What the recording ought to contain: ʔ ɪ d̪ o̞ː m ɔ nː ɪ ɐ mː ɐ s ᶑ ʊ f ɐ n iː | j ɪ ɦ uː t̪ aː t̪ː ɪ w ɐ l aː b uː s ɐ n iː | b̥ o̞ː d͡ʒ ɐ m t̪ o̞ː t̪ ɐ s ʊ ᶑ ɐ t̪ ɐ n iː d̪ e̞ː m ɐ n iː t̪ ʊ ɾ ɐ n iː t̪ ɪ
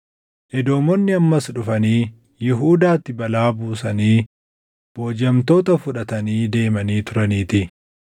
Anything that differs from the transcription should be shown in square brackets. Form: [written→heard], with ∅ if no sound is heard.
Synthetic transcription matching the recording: ʔ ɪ d̪ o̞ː m ɔ nː ɪ ɐ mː ɐ s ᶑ ʊ f ɐ n iː | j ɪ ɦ uː [t̪→d̪] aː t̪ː ɪ [w→b] ɐ l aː b uː s ɐ n iː | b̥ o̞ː d͡ʒ ɐ m t̪ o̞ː t̪ ɐ [s→f] ʊ ᶑ ɐ t̪ ɐ n iː d̪ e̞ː m ɐ n iː t̪ ʊ ɾ ɐ n iː t̪ ɪ